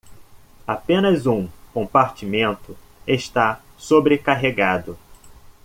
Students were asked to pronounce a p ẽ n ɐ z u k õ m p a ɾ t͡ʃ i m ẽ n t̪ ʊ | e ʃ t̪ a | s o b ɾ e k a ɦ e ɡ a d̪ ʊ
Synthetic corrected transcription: a p ẽ n ɐ z ũ k õ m p a ɾ t͡ʃ i m ẽ n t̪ ʊ | e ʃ t̪ a | s o b ɾ e k a ɦ e ɡ a d̪ ʊ